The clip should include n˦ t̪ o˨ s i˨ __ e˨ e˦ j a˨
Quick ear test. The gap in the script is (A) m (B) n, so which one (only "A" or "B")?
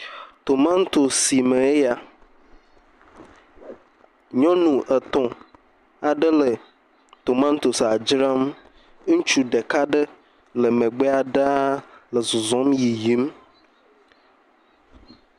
A